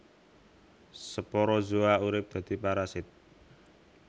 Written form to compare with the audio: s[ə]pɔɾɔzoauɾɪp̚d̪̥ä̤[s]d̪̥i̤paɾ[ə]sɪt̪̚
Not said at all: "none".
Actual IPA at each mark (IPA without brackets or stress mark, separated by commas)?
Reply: ə, none, a